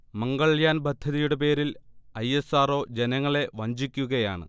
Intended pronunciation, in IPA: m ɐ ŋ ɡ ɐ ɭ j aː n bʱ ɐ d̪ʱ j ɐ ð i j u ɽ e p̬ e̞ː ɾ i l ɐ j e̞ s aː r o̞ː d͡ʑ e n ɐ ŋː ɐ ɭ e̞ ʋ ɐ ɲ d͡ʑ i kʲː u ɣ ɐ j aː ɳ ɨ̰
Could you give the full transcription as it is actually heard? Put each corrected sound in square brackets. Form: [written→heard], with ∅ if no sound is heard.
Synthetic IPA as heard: m ɐ ŋ ɡ ɐ ɭ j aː n bʱ ɐ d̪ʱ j ɐ ð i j u ɽ e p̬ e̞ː ɾ i l ɐ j e̞ s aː r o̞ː d͡ʑ e n ɐ ŋː ɐ ɭ e̞ ʋ ɐ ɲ d͡ʑ i kʲː u ɣ ɐ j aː ɳ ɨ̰